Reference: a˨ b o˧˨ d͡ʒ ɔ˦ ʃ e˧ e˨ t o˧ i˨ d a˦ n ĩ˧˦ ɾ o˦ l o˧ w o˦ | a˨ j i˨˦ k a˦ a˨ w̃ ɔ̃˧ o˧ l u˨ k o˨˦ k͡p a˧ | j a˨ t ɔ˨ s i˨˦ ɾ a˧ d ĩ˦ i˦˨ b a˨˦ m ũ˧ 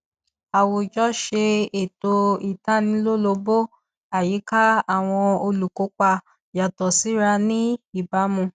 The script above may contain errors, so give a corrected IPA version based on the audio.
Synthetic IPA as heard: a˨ w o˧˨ d͡ʒ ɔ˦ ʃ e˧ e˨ t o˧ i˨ t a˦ n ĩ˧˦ l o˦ l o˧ b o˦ | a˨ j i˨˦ k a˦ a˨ w̃ ɔ̃˧ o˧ l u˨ k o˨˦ k͡p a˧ | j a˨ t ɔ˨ s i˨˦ ɾ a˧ n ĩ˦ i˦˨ b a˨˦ m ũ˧

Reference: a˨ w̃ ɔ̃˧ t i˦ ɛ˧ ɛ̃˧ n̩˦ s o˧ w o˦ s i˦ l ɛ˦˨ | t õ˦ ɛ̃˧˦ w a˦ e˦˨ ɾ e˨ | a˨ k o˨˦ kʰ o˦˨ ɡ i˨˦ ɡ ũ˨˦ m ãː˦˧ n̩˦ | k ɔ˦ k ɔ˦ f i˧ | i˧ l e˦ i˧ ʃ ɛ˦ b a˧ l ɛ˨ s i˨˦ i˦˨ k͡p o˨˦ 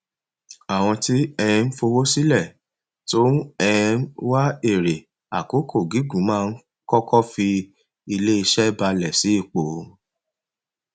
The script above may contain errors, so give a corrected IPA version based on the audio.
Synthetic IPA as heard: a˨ w̃ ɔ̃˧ t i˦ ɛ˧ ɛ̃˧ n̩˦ f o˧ w o˦ s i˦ l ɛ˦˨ | t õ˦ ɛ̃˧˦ w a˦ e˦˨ ɾ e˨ | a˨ k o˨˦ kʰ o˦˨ ɡ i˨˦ ɡ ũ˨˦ m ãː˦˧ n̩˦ | k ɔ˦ k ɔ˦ f i˧ | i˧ l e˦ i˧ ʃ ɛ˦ b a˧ l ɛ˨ s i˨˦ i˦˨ k͡p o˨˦

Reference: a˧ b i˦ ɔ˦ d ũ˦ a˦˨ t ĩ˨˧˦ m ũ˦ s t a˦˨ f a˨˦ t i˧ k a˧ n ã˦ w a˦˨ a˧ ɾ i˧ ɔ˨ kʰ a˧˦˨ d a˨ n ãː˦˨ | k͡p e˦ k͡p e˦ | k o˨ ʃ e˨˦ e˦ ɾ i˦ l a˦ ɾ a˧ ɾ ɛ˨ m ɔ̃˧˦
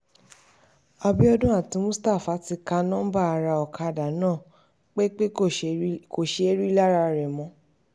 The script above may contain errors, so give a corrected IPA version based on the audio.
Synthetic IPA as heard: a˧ b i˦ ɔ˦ d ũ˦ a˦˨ t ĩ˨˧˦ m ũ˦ s t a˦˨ f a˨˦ t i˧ k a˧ n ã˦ b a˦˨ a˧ ɾ a˧ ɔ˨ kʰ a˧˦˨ d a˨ n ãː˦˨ | k͡p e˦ k͡p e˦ | k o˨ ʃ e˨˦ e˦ ɾ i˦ l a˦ ɾ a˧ ɾ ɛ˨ m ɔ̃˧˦

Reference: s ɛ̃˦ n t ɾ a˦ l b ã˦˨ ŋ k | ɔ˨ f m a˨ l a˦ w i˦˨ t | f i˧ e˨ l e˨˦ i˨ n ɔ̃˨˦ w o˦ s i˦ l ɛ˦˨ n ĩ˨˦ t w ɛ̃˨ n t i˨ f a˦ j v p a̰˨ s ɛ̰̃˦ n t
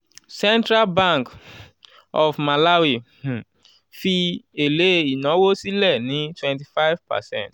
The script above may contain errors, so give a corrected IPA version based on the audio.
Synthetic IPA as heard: s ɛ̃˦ n t ɾ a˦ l b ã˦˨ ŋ k | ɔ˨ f m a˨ l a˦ w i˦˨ | f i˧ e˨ l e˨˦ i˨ n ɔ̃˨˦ w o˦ s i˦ l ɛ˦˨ n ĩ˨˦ t w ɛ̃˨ n t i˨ f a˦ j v p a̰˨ s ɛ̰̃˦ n t

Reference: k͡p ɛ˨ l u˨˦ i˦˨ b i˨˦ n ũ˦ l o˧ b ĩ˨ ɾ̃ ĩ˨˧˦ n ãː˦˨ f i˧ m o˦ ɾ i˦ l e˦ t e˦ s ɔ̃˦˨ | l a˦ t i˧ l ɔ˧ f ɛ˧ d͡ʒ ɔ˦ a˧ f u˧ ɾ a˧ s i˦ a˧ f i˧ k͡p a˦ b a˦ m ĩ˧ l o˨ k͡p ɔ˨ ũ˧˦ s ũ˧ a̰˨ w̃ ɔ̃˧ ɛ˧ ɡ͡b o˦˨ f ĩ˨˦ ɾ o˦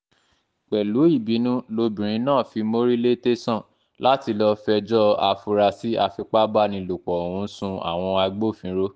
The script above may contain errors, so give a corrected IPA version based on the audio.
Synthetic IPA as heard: k͡p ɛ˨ l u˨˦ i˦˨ b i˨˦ n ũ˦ l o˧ b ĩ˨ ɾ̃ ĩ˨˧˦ n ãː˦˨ f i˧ m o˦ ɾ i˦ l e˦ t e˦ s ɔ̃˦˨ | l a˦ t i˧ l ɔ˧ f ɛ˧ d͡ʒ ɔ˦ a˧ f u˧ ɾ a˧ s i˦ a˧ f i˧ k͡p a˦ b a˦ n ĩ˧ l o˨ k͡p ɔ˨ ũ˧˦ s ũ˧ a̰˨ w̃ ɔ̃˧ a˧ ɡ͡b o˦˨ f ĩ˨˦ ɾ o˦

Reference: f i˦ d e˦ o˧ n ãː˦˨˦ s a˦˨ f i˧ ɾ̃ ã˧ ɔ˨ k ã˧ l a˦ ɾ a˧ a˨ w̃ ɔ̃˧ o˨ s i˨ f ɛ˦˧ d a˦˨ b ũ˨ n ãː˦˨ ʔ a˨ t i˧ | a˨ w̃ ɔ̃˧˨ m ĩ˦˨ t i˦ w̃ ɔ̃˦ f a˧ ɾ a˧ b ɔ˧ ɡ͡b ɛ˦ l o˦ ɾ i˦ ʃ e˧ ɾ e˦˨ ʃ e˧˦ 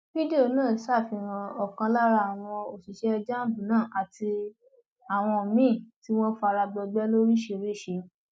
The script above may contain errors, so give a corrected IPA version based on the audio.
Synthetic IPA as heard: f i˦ d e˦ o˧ n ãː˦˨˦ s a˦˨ f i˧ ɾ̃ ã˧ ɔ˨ k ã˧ l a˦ ɾ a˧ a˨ w̃ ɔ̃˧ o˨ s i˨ ʃ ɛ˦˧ d͡ʒ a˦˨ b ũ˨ n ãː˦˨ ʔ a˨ t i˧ | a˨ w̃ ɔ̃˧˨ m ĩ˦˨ t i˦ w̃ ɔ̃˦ f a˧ ɾ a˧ b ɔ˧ ɡ͡b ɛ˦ l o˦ ɾ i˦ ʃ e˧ ɾ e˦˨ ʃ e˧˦

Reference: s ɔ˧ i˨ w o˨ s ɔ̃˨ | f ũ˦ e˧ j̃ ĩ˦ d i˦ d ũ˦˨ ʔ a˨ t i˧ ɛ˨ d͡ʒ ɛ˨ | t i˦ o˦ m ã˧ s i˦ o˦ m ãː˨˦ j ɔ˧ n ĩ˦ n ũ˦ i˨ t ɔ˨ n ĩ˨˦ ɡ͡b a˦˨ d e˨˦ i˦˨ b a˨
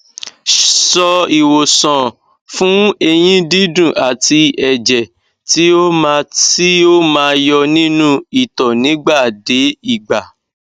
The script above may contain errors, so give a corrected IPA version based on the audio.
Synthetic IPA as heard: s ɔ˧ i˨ w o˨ s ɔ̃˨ | f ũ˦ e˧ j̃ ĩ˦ d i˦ d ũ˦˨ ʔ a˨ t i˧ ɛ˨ d͡ʒ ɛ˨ | t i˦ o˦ m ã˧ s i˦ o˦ m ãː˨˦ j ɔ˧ n ĩ˦ n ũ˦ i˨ t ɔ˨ n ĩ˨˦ ɡ͡b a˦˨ d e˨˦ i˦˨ ɡ͡b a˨

